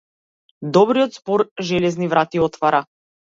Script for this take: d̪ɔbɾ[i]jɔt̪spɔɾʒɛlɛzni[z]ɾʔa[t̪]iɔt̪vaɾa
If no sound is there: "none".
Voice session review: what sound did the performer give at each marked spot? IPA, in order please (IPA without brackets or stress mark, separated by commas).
i, v, t̪